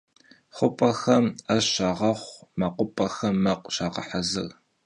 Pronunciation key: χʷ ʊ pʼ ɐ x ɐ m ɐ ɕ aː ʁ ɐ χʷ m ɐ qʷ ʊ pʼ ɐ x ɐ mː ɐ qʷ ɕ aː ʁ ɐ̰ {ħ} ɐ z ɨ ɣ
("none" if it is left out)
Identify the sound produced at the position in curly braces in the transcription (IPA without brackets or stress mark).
ħ